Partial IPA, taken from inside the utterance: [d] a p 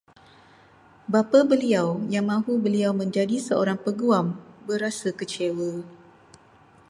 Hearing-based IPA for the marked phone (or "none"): b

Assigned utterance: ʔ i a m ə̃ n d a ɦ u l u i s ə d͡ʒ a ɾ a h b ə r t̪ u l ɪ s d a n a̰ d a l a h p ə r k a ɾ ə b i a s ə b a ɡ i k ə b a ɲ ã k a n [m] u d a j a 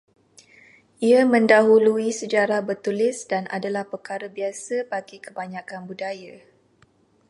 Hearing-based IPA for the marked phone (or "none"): b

